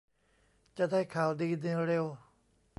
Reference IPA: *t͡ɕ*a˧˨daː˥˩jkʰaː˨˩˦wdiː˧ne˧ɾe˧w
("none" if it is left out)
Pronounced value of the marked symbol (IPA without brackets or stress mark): t͡ɕ